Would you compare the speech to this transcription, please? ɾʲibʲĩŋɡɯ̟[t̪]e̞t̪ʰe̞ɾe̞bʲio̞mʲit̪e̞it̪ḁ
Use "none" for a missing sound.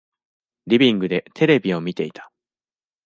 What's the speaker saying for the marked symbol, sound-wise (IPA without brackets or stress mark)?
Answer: d̪